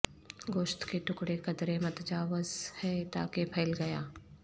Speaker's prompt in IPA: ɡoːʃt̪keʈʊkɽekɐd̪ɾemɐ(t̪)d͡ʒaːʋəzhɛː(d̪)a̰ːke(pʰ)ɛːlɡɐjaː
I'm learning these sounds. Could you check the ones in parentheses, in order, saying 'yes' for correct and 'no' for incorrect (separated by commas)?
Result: yes, no, yes